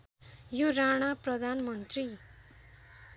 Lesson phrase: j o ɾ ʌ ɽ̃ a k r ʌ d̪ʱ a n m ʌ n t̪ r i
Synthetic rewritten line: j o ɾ a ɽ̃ a p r ʌ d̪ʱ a n m ʌ n t̪ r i